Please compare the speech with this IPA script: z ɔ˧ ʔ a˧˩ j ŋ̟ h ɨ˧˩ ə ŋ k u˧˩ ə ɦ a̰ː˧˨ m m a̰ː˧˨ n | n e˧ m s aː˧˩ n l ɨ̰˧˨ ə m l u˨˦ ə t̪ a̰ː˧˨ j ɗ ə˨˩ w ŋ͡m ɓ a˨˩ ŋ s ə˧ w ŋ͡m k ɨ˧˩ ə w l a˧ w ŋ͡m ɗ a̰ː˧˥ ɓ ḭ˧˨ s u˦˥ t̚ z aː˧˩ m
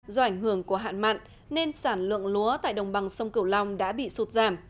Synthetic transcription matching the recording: z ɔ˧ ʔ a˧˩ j ŋ̟ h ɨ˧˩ ə ŋ k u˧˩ ə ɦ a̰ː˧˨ n m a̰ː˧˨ n | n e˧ n s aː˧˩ n l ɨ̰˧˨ ə ŋ l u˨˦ ə t̪ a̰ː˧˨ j ɗ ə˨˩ w ŋ͡m ɓ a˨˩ ŋ s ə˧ w ŋ͡m k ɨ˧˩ ə w l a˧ w ŋ͡m ɗ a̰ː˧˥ ɓ ḭ˧˨ s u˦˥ t̚ z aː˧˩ m